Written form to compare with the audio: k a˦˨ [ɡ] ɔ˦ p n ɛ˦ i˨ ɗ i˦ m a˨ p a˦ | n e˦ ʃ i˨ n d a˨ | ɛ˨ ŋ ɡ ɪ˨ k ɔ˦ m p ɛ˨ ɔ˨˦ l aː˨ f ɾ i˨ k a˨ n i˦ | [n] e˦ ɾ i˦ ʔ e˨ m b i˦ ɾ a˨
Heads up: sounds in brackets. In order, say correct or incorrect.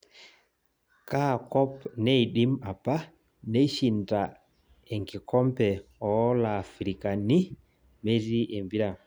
incorrect, incorrect

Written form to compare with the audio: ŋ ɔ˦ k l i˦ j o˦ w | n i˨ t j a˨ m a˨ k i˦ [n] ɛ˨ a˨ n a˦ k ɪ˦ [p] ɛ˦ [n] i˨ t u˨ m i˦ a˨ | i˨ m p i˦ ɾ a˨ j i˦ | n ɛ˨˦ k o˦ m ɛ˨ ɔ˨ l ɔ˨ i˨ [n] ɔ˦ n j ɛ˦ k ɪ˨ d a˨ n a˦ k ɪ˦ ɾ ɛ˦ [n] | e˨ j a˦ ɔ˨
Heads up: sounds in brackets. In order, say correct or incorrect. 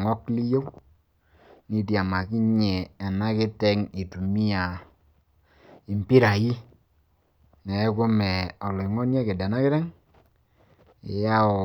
incorrect, incorrect, incorrect, incorrect, incorrect

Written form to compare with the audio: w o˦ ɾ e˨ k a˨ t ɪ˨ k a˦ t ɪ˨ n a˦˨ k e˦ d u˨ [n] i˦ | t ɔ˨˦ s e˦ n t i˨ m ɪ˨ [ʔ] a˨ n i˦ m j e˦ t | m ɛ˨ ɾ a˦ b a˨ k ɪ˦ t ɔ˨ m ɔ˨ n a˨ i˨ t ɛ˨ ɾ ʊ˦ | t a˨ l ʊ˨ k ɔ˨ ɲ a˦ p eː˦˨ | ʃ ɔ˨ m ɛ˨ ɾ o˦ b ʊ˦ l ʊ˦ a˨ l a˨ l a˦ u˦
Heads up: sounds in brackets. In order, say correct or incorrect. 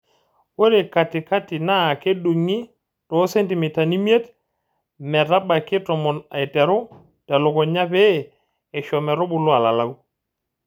incorrect, incorrect

